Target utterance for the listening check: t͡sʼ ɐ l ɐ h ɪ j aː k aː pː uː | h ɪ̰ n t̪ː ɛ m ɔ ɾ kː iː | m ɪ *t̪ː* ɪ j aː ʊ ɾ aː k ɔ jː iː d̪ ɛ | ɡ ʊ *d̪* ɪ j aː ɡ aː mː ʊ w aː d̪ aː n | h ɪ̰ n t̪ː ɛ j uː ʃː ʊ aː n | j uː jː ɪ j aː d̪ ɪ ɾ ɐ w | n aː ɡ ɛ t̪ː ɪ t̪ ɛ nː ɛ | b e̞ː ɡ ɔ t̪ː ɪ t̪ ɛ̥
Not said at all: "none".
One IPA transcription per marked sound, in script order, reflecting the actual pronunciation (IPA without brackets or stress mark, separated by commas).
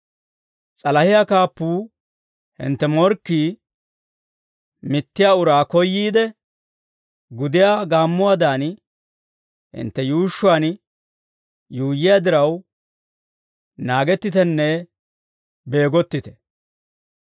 t̪ː, d̪